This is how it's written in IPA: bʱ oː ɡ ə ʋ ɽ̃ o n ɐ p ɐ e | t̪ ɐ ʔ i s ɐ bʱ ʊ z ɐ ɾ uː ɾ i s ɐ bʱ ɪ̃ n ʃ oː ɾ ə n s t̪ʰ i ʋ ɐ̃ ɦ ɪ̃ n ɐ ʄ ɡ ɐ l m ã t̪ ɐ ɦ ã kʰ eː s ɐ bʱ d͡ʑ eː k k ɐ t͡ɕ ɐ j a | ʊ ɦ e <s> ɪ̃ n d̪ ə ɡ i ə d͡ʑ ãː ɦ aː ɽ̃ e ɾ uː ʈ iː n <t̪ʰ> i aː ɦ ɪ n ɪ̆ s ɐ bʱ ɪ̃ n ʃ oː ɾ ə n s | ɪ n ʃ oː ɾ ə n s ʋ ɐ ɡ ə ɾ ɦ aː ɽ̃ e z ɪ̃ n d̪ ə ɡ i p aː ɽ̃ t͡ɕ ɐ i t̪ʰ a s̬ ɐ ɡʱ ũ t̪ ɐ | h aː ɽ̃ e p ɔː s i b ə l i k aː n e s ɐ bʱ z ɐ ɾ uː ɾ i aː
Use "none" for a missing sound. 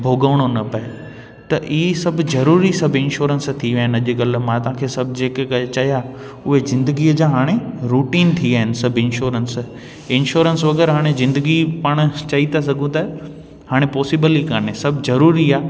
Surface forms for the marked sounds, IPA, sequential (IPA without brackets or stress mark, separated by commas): z, t̪ʰ